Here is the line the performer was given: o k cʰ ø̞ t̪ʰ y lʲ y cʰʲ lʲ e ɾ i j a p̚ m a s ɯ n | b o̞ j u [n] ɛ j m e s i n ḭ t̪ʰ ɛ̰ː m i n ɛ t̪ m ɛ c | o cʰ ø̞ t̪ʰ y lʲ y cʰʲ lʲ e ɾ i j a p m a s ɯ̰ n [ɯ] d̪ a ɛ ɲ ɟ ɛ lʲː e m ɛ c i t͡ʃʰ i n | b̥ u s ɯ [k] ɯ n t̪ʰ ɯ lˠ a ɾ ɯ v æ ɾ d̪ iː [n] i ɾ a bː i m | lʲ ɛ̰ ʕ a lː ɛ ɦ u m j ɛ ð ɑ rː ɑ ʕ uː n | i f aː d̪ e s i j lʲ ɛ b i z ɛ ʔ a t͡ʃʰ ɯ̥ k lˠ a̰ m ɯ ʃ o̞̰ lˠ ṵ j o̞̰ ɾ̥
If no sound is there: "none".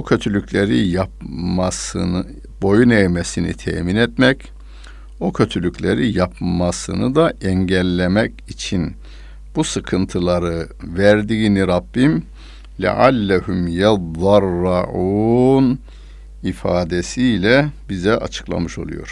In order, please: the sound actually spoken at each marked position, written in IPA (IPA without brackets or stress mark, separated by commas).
n, ɯ, kʰ, n